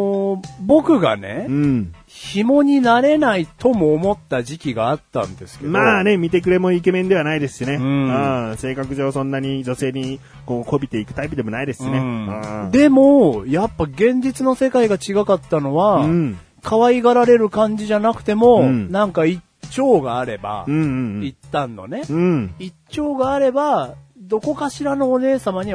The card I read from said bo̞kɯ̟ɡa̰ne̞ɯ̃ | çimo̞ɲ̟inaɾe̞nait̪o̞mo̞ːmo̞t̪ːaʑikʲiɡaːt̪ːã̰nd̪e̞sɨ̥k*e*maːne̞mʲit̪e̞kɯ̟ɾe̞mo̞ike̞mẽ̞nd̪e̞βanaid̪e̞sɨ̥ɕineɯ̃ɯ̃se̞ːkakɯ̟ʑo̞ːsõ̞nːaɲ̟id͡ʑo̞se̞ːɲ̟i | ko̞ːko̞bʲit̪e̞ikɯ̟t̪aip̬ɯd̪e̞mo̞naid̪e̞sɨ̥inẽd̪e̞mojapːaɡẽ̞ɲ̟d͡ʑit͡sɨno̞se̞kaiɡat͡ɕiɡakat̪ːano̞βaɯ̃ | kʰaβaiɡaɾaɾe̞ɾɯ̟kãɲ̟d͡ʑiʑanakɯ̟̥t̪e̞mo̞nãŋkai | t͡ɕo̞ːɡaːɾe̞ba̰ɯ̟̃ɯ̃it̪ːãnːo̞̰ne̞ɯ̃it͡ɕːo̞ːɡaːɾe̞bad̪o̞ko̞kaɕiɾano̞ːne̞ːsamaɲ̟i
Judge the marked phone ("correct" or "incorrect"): correct